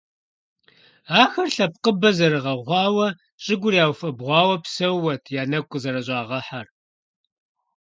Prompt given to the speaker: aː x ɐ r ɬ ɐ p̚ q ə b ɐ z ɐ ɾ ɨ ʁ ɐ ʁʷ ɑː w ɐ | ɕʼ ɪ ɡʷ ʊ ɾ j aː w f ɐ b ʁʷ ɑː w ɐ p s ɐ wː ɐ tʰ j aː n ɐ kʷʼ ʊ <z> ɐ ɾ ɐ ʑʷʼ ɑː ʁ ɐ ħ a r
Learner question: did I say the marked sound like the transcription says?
yes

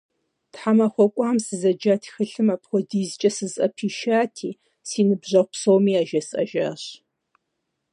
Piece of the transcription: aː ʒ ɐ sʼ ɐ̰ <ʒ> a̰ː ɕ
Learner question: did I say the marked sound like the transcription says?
yes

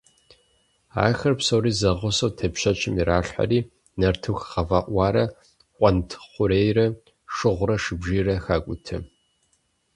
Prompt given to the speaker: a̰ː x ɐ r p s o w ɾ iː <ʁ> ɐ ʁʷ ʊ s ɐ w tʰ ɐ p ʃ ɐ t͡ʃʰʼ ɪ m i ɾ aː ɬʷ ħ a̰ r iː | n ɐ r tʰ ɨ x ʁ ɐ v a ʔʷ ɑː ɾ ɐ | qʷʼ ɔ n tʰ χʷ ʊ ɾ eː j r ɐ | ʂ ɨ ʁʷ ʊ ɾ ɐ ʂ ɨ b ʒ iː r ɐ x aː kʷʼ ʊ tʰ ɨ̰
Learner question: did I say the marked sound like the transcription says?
no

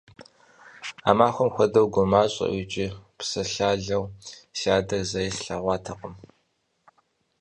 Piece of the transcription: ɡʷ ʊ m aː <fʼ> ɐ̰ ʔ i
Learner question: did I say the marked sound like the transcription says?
no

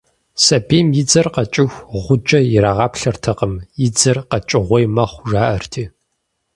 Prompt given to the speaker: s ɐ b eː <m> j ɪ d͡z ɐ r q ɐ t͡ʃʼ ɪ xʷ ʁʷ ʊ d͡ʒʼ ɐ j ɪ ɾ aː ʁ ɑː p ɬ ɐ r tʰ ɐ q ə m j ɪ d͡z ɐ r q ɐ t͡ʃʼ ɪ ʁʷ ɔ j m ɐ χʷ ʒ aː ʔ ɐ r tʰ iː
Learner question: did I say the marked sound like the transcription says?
yes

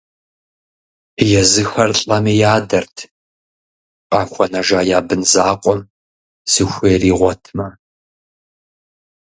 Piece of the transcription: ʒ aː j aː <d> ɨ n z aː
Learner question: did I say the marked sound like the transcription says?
no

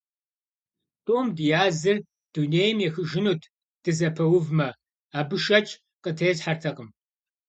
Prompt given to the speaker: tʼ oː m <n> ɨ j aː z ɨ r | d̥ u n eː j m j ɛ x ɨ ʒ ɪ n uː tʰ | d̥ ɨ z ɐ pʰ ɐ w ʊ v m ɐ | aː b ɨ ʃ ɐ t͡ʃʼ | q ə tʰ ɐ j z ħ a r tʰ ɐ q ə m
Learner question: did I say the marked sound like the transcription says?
no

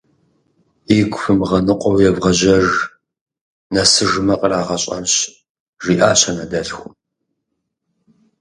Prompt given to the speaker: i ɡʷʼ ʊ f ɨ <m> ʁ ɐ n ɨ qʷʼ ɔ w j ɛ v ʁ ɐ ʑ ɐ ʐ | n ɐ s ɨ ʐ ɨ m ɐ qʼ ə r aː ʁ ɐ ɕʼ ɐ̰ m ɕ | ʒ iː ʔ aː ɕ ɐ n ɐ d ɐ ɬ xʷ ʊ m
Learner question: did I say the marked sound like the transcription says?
yes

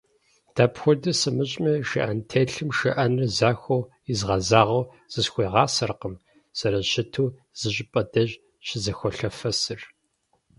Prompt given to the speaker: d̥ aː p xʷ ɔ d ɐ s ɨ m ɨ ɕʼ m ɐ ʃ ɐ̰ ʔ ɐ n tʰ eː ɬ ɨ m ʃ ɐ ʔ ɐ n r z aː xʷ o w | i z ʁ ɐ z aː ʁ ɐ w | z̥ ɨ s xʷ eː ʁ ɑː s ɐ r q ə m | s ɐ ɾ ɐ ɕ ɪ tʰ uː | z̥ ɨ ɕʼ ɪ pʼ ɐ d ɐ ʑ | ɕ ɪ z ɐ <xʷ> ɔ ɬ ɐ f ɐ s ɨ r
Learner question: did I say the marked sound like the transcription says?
yes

